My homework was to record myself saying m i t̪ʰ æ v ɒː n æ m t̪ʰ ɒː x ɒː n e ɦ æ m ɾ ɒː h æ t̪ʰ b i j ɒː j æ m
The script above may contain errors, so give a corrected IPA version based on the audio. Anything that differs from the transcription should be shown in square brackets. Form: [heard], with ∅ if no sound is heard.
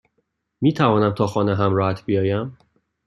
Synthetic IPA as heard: m [iː] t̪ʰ æ v ɒː n æ m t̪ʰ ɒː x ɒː n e ɦ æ m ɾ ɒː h æ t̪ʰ b i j ɒː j æ m